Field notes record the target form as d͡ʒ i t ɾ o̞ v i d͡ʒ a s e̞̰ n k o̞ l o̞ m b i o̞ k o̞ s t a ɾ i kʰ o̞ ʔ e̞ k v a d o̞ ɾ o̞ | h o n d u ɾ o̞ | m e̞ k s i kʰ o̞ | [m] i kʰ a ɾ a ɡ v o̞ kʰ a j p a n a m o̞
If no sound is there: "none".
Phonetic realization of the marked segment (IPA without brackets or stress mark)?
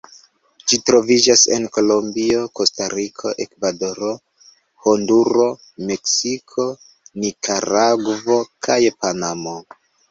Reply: n